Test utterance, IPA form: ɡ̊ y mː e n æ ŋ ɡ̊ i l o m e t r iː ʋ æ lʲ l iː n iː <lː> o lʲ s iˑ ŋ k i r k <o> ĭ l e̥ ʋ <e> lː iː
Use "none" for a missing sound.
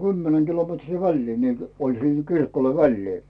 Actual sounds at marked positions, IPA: l, o, æ

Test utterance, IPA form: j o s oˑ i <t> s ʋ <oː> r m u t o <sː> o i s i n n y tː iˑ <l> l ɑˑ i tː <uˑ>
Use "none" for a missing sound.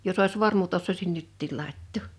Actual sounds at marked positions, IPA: none, o, sː, l, oˑ

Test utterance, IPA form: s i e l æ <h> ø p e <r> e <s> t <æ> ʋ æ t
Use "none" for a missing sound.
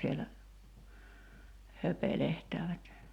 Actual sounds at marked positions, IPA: h, l, h, æː

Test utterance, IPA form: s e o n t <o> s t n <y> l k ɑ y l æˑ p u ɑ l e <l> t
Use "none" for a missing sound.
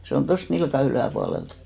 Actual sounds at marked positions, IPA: o, i, l

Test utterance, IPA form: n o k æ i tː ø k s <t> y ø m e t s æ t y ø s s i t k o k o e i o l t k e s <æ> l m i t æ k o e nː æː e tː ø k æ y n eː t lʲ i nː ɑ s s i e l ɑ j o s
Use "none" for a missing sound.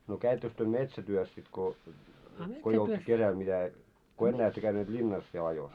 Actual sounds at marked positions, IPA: t, æ

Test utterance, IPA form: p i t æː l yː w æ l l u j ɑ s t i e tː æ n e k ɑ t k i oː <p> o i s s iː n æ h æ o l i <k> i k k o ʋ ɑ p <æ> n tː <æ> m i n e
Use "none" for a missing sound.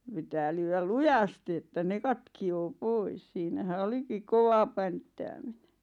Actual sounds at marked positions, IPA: p, k, æ, æː

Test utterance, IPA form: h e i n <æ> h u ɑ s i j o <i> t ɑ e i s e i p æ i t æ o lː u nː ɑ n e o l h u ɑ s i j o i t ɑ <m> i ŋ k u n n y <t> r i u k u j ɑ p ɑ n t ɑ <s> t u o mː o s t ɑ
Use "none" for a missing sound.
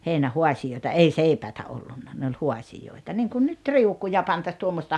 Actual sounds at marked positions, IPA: æ, i, n, t, s

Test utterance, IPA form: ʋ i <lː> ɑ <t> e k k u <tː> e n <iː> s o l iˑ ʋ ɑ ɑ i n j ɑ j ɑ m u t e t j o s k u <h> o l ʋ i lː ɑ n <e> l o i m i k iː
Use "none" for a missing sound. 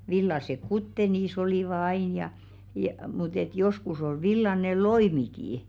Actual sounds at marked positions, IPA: lː, s, tː, iː, s, e

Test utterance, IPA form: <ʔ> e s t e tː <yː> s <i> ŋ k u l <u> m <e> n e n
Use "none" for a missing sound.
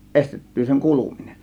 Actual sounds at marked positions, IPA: ʔ, yː, e, u, i

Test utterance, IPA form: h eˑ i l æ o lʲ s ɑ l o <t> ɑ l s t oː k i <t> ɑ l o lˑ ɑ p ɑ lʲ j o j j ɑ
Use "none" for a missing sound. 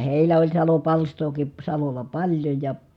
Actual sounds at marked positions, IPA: p, s

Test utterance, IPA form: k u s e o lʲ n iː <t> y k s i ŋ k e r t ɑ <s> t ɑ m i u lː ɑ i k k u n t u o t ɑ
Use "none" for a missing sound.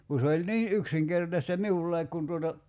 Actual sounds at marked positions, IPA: ʔ, s

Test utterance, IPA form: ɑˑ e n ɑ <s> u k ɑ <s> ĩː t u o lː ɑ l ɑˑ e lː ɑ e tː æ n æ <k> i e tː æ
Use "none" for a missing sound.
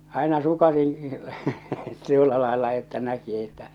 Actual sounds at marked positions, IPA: s, s, k

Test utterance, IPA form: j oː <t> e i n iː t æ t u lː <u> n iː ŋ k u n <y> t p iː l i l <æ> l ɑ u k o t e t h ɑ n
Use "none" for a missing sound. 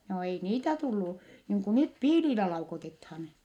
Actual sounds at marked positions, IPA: none, u, y, æ

